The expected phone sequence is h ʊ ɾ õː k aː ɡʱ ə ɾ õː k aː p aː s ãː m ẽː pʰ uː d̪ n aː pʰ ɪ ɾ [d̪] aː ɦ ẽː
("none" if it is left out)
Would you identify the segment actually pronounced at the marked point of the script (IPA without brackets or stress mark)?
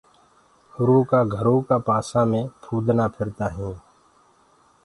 t̪